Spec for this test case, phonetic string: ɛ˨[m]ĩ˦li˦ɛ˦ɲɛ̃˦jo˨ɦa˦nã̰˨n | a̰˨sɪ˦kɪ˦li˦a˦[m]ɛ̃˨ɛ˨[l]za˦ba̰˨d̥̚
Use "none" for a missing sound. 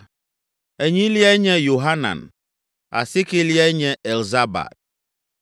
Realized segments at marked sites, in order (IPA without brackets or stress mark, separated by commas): ɲ, ɲ, l